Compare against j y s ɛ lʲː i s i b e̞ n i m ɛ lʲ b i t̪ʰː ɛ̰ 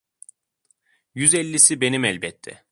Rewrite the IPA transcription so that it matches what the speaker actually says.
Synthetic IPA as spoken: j y z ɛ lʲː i s i b e̞ n i m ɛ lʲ b ɛ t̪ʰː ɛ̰